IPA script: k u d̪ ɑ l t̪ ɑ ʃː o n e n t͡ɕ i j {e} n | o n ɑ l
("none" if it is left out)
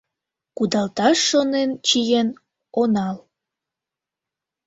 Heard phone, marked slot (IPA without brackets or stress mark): e